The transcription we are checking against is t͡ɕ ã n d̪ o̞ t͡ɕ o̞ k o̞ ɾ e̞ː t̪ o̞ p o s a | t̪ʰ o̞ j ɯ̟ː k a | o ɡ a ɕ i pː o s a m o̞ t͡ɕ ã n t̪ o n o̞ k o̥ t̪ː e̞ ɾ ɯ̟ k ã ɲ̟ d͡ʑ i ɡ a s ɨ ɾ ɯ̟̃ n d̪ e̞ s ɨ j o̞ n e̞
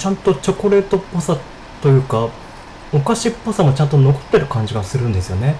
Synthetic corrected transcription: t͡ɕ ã n t̪ o̞ t͡ɕ o̞ k o̞ ɾ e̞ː t̪ o̞ p o s a | t̪ o̞ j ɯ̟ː k a | o k a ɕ i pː o s a m o̞ t͡ɕ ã n t̪ o n o̞ k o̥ t̪ː e̞ ɾ ɯ̟ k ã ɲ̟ d͡ʑ i ɡ a s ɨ ɾ ɯ̟̃ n d̪ e̞ s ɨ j o̞ n e̞